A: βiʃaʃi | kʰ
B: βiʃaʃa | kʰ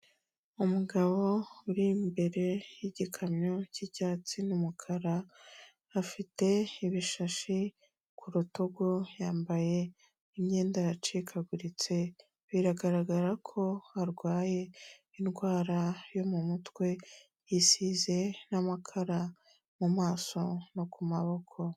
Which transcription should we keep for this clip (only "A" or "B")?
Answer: A